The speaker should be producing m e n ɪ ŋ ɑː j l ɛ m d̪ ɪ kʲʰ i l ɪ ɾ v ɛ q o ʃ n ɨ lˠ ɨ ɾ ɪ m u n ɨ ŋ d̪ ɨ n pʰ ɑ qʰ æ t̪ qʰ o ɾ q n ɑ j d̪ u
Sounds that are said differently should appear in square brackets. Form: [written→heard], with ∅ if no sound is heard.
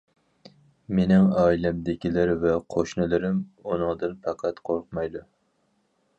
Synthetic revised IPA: m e n ɪ ŋ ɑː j l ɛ m d̪ ɪ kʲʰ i l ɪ ɾ v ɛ [q→qʰ] o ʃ n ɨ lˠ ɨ ɾ ɪ m u n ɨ ŋ d̪ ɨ n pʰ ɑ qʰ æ t̪ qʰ o ɾ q [n→m] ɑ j d̪ u